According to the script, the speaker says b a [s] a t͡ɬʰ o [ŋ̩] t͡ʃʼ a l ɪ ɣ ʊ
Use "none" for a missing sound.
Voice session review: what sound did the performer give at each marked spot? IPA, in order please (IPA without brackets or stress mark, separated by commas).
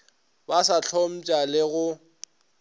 s, m̩